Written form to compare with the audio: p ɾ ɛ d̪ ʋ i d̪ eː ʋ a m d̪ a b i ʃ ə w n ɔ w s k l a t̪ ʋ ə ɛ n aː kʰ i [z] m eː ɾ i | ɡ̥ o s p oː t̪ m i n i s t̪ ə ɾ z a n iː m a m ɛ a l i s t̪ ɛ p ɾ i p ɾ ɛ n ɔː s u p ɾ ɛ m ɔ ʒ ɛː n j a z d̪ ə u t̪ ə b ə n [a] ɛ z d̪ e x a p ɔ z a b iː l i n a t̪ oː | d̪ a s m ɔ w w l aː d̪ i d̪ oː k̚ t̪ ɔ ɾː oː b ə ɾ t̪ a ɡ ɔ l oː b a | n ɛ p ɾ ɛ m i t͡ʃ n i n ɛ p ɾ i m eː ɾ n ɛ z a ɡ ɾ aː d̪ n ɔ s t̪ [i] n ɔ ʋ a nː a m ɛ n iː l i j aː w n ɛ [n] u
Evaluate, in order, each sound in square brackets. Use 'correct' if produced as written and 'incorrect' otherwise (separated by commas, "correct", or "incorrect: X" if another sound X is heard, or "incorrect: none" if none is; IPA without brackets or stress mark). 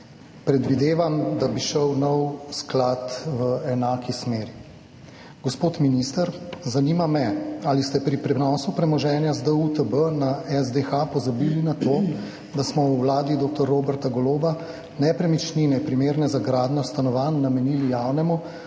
incorrect: s, correct, incorrect: a, incorrect: m